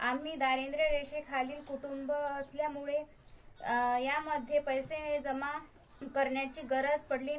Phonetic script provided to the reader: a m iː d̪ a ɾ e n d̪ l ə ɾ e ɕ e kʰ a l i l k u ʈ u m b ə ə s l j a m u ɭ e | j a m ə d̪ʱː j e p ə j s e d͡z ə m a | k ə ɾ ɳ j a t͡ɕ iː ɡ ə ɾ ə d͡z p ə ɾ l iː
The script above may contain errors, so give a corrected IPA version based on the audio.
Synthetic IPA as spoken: a m iː d̪ a ɾ e n d̪ ɾ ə ɾ e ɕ e kʰ a l iː l k u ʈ u m b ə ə s l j a m u ɭ e | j a m ə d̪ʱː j e p ə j s e d͡z ə m a | k ə ɾ ɳ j a t͡ɕ iː ɡ ə ɾ ə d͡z p ə ɽ l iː